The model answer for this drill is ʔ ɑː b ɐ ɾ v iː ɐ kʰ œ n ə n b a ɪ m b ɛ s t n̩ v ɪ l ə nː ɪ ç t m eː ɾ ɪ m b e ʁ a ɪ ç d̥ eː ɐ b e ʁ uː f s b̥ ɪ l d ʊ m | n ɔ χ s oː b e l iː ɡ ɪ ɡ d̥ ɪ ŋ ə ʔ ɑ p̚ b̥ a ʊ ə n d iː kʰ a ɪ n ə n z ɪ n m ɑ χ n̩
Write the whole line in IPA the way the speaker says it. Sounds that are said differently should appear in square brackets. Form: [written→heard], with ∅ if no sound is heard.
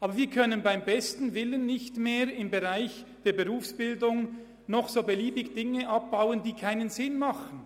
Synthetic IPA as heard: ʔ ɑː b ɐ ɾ v iː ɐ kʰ œ n ə n b a ɪ m b ɛ s t n̩ v ɪ l ə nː ɪ ç t m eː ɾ ɪ m b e ʁ a ɪ ç d̥ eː ɐ b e ʁ uː f s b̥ ɪ l d ʊ [m→ŋ] | n ɔ χ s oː b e l iː [ɡ→b] ɪ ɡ d̥ ɪ ŋ ə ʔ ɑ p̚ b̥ a ʊ ə n d iː kʰ a ɪ n ə n z ɪ n m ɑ χ n̩